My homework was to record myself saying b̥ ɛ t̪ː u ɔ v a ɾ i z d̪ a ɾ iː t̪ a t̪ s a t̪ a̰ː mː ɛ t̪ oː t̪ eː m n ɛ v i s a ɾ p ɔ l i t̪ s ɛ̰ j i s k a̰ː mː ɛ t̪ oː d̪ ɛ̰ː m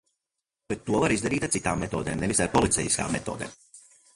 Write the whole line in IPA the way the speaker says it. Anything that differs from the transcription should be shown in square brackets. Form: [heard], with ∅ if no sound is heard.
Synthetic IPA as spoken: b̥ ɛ t̪ː u ɔ v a ɾ i z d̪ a ɾ iː t̪ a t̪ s [i] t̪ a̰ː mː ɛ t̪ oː [d̪] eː m n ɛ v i s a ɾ p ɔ l i t̪ s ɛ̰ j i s k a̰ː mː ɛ t̪ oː d̪ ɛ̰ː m